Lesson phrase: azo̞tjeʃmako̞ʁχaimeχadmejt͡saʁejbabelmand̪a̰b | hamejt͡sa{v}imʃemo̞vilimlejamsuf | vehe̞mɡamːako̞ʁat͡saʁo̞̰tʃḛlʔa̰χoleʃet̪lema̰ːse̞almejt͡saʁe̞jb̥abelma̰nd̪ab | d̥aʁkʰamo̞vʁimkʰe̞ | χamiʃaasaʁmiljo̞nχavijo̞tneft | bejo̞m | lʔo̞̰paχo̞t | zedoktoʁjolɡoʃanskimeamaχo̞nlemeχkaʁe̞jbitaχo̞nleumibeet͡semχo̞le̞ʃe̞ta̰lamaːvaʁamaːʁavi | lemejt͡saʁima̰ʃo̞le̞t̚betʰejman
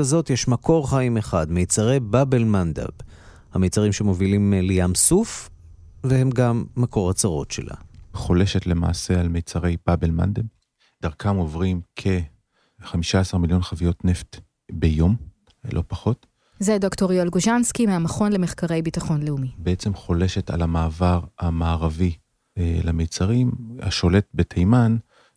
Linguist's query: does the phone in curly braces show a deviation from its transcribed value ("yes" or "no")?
yes